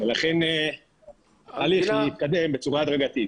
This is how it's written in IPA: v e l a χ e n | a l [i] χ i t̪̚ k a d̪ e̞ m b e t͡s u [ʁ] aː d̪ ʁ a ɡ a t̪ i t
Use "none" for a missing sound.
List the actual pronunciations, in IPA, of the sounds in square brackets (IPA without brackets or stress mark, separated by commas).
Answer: i, ʁ